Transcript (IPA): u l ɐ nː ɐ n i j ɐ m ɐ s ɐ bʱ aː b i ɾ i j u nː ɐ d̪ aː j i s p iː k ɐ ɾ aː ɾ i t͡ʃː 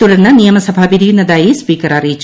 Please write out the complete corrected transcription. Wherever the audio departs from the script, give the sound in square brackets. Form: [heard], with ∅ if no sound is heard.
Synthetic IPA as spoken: u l ɐ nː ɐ n i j ɐ m ɐ s ɐ bʱ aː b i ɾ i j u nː ɐ d̪ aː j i s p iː k ɐ ɾ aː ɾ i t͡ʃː